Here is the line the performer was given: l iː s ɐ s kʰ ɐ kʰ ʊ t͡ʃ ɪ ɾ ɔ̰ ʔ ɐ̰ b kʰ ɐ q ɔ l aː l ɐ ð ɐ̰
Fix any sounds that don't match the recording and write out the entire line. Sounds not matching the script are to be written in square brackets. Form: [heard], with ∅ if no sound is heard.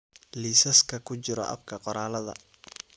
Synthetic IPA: l iː s ɐ s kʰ ɐ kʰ ʊ t͡ʃ ɪ ɾ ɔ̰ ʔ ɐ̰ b kʰ ɐ q ɔ [ɾ] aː l ɐ ð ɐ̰